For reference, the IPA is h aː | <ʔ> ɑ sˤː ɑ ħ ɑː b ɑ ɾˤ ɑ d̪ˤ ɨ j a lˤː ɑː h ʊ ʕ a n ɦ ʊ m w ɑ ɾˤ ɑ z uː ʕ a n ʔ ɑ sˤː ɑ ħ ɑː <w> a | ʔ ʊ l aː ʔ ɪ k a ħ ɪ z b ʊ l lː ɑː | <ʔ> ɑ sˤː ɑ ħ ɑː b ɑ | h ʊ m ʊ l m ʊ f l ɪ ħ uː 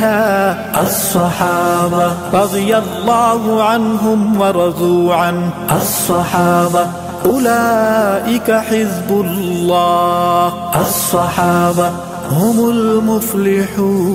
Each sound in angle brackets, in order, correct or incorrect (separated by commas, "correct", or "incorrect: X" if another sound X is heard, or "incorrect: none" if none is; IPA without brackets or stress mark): correct, incorrect: b, correct